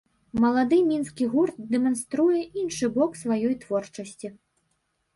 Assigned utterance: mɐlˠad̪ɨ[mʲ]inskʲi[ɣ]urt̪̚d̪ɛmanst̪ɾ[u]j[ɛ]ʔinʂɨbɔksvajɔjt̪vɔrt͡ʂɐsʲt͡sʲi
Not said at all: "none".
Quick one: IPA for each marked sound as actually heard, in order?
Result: mʲ, ɣ, u, ɛ

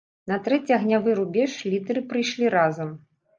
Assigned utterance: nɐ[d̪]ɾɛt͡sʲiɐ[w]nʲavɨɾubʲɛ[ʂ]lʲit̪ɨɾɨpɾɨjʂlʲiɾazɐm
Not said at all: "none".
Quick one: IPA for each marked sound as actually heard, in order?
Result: t̪, ɣ, ʂ

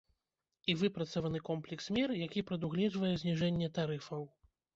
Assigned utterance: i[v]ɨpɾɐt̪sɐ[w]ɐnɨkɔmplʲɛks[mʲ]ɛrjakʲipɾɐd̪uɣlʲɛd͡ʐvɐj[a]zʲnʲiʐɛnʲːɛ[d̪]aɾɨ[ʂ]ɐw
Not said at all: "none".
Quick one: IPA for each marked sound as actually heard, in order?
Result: v, v, mʲ, ɛ, t̪, f

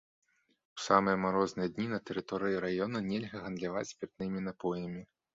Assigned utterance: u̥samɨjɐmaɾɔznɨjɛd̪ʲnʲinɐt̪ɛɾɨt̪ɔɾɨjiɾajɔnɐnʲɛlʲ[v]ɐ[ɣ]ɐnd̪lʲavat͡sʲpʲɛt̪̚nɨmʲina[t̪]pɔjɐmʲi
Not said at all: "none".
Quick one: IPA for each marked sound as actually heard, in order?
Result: ɣ, ɣ, none

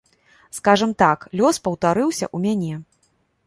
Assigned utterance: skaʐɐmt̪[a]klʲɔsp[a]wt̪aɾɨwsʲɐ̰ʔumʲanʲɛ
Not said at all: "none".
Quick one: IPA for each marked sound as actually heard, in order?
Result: a, ɐ

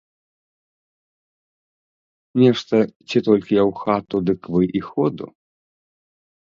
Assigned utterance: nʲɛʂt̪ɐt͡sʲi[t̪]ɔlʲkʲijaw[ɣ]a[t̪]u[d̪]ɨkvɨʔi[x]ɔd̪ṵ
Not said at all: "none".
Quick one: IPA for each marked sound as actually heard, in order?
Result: t̪, x, t̪, d̪, x

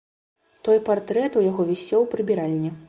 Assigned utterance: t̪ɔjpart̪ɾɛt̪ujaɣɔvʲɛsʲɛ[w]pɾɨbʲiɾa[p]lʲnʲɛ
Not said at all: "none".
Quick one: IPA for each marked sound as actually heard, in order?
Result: w, none

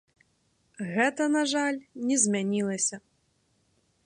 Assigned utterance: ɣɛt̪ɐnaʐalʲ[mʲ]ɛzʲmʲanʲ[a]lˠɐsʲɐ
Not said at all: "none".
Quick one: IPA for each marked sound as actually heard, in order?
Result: nʲ, i

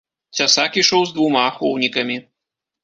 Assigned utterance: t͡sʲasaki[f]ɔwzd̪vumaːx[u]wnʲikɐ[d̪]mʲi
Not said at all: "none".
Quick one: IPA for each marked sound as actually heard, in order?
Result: ʂ, ɔ, none

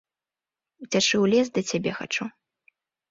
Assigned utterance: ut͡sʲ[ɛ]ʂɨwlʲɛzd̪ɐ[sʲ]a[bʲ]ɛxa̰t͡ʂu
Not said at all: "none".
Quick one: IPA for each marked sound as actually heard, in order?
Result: a, t͡sʲ, bʲ

